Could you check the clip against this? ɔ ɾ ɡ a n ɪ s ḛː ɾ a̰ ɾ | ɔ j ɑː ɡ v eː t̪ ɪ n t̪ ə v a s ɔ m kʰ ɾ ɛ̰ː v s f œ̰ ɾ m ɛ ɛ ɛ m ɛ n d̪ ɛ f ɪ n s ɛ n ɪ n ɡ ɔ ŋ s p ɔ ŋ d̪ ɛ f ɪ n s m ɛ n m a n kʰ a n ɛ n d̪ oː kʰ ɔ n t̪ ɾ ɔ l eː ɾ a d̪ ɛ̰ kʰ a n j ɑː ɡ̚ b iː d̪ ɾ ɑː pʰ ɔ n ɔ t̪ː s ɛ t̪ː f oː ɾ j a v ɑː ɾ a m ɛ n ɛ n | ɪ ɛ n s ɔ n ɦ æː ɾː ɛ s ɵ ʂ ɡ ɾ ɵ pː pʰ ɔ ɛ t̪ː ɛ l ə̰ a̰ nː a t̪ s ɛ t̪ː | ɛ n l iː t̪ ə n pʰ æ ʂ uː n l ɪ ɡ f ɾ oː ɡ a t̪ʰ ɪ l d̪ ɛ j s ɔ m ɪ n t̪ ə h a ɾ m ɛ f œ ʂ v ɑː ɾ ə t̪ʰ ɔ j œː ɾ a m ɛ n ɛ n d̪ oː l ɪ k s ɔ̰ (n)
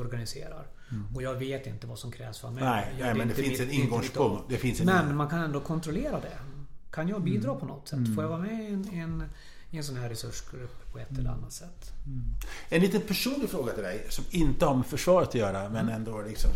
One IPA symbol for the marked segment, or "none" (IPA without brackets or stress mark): m